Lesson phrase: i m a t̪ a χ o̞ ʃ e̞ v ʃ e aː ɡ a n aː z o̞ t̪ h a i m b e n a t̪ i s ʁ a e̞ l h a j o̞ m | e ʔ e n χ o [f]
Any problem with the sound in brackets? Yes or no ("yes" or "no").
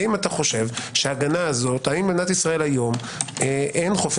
no